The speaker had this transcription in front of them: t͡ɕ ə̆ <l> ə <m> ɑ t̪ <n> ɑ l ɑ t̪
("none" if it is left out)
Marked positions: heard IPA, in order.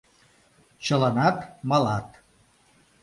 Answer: l, n, m

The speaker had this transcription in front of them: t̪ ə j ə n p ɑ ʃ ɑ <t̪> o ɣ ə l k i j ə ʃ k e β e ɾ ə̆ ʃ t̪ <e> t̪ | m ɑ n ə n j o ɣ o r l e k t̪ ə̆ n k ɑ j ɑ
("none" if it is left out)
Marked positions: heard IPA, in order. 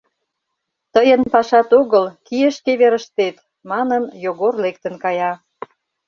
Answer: t̪, e

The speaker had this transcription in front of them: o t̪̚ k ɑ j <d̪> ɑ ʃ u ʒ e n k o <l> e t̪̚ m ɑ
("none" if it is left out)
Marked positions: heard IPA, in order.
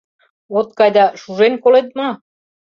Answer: d̪, l

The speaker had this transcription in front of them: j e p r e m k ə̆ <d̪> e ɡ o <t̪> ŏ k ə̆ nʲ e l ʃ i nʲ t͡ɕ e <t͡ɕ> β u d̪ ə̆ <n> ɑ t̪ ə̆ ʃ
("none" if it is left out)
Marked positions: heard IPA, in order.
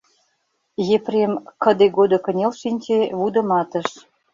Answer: d̪, d̪, none, m

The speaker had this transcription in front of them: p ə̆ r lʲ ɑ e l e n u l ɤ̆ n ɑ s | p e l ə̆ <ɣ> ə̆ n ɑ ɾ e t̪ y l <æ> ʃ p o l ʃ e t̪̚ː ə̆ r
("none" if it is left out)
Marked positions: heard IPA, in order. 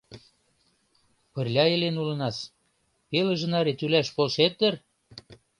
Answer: ʒ, æ

